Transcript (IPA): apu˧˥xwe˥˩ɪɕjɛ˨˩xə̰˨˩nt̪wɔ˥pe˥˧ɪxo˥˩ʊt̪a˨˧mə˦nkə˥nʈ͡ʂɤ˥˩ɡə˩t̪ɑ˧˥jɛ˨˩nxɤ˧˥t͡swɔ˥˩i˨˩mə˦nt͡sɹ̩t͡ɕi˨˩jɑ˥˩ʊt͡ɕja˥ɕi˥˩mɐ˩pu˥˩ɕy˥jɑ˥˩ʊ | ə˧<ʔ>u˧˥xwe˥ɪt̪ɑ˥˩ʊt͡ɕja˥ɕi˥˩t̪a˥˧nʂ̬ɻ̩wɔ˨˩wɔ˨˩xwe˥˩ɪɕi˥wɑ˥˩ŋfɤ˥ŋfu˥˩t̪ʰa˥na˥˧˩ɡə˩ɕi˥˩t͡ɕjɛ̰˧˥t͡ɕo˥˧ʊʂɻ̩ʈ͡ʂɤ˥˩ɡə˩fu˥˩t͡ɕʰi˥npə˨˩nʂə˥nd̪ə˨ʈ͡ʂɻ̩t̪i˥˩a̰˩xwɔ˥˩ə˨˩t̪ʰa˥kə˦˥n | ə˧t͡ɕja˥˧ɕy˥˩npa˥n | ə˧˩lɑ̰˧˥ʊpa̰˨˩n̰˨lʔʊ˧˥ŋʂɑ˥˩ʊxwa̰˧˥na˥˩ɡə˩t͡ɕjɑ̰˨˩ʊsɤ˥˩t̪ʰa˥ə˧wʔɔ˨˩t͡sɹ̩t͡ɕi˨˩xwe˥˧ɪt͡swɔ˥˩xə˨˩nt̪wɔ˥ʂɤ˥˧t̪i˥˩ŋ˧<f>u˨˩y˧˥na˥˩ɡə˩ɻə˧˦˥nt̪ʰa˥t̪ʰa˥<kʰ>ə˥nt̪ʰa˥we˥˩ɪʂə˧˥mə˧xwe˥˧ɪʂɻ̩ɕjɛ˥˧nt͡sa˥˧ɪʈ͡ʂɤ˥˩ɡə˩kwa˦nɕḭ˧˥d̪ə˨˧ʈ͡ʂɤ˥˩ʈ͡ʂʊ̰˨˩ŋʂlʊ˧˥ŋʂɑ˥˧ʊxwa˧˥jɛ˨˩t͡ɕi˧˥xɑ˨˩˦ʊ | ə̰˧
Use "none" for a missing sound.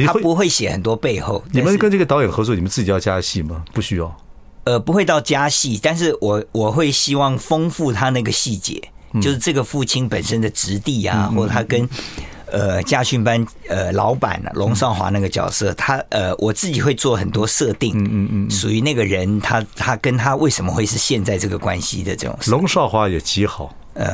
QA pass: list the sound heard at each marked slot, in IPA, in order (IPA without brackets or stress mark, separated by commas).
p, ʂ, k